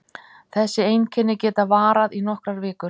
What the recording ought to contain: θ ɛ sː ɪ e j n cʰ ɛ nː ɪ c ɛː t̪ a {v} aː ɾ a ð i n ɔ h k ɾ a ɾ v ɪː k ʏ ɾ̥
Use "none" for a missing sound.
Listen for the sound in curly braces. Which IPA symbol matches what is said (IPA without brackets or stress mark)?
v